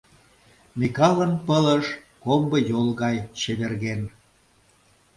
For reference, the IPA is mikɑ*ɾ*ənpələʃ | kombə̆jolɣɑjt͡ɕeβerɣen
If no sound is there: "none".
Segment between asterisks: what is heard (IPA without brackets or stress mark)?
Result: l